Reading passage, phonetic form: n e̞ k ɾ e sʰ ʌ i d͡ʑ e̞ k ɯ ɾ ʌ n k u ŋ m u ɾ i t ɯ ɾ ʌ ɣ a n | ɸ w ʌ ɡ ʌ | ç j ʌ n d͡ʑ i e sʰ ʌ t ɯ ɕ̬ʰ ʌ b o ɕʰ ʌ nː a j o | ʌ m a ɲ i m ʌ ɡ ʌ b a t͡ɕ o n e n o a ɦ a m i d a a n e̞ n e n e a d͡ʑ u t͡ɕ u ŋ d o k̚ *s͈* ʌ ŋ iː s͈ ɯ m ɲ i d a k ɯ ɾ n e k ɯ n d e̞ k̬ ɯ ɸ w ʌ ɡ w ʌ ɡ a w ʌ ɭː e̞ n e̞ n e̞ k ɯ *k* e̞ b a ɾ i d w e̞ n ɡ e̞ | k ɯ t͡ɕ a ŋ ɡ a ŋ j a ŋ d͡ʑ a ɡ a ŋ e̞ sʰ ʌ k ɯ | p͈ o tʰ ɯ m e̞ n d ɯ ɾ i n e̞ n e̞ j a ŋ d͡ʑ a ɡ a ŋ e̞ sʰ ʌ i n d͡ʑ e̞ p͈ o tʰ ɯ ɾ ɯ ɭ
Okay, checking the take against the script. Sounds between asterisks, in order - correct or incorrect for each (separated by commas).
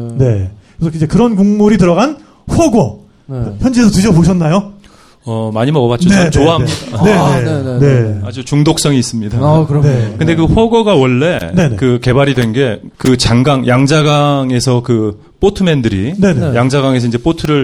correct, correct